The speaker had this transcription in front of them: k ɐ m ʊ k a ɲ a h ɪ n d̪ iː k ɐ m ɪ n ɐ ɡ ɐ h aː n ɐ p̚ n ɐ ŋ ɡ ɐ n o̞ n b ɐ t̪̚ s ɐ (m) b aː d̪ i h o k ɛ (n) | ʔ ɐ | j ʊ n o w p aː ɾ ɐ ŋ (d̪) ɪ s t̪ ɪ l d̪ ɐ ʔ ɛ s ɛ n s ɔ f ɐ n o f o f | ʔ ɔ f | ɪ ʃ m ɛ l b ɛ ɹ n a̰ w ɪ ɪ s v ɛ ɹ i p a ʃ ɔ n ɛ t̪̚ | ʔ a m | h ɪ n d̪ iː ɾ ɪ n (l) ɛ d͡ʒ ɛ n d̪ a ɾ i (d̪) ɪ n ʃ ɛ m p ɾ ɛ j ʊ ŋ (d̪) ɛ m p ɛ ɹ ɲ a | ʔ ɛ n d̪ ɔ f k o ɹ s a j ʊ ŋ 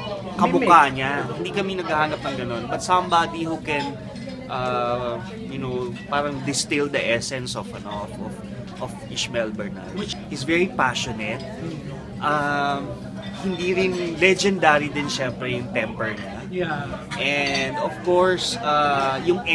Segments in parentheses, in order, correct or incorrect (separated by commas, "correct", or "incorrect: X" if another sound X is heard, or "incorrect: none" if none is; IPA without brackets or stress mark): correct, correct, correct, correct, correct, incorrect: t̪